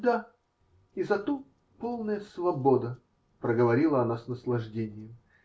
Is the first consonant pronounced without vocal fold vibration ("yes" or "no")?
no